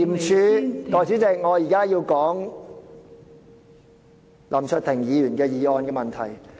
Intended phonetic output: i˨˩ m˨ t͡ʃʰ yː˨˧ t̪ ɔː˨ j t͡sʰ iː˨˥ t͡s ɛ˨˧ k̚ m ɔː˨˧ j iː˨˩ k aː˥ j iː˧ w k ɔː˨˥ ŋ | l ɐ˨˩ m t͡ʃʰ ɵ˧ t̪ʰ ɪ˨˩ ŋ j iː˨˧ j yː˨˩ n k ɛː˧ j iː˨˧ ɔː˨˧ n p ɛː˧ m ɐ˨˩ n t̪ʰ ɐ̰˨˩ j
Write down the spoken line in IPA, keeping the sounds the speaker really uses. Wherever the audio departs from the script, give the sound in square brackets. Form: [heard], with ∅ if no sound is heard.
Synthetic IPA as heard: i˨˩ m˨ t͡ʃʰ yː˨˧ t̪ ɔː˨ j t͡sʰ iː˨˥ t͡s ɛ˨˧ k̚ [ŋ] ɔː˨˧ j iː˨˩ k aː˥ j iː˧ w k ɔː˨˥ ŋ | l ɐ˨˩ m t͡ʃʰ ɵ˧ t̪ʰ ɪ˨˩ ŋ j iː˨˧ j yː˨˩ n k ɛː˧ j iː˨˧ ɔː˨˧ n [k] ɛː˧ m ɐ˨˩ n t̪ʰ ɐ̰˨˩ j